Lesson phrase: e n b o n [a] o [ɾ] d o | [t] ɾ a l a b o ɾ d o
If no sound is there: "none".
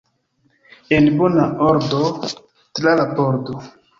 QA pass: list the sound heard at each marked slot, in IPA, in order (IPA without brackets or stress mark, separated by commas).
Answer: a, ɾ, t